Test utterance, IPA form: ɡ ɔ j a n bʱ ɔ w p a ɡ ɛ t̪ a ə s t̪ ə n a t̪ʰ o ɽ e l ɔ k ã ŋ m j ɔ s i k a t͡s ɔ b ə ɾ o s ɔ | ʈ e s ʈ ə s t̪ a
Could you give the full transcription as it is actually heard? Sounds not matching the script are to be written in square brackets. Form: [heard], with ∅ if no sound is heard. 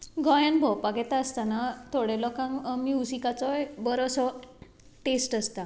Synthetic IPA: ɡ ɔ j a n bʱ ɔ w p a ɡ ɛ t̪ a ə s t̪ [a] n a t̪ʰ o ɽ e l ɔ k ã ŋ m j [u] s i k a t͡s ɔ b ə ɾ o s ɔ | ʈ e s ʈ ə s t̪ a